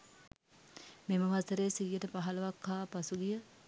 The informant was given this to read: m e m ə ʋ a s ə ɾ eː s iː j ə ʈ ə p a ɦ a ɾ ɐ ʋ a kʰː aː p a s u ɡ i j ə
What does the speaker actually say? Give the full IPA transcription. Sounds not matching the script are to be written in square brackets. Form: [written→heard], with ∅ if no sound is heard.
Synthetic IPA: m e m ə ʋ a s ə ɾ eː s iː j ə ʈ ə p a ɦ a [ɾ→l] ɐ ʋ a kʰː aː p a s u ɡ i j ə